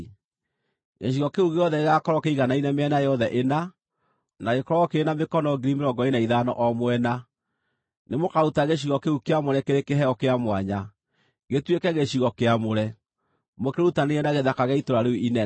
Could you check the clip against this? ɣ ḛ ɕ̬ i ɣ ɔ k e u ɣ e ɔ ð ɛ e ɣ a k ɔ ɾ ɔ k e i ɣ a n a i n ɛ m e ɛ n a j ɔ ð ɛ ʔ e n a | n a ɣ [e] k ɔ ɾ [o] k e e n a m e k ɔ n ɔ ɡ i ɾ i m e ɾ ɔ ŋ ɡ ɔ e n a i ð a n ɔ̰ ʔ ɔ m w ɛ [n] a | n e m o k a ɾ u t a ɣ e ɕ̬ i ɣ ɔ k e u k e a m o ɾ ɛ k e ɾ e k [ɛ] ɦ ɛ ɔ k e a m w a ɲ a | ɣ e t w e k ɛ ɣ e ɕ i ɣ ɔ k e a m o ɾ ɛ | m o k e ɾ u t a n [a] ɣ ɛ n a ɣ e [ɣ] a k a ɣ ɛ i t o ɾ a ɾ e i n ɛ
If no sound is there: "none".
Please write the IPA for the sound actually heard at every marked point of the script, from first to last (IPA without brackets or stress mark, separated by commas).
e, ɔ, n, e, e, ð